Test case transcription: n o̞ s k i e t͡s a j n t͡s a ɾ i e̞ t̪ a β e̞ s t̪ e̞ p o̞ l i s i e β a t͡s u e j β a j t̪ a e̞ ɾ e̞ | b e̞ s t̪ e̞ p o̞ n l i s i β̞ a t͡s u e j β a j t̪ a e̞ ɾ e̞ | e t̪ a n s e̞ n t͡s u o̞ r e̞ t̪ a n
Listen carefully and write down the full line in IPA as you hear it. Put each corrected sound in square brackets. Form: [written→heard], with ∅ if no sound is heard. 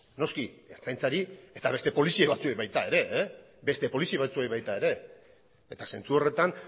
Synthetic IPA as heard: n o̞ s k i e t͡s a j n t͡s a ɾ i e̞ t̪ a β e̞ s t̪ e̞ p o̞ l i s i e β a t͡s u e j β a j t̪ a e̞ ɾ e̞ | b e̞ s t̪ e̞ p o̞ [n→∅] l i s i β̞ a t͡s u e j β a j t̪ a e̞ ɾ e̞ | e t̪ a [n→∅] s e̞ n t͡s u o̞ r e̞ t̪ a n